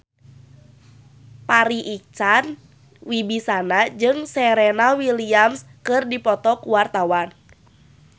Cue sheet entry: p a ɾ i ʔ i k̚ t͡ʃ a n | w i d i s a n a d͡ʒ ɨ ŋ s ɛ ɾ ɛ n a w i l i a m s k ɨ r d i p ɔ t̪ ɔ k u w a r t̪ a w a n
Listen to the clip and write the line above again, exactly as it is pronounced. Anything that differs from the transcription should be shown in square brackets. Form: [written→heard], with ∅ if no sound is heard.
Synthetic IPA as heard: p a ɾ i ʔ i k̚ t͡ʃ a n | w i [d→b] i s a n a d͡ʒ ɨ ŋ s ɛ ɾ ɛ n a w i l i a m s k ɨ r d i p ɔ t̪ ɔ k u w a r t̪ a w a n